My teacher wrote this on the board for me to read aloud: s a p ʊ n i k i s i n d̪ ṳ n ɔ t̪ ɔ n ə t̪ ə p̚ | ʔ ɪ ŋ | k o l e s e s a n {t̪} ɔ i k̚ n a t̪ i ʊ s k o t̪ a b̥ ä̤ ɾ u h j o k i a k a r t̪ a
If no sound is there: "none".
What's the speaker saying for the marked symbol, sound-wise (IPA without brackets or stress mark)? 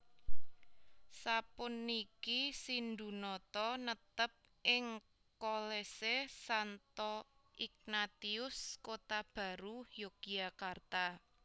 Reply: t̪